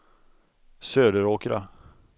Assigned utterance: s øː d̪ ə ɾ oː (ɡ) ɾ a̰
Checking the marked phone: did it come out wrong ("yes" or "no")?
yes